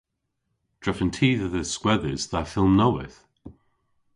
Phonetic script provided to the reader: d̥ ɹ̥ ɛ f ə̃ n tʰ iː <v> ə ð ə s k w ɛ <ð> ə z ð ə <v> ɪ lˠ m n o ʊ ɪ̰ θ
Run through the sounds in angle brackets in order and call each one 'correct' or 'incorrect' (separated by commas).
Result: incorrect, correct, incorrect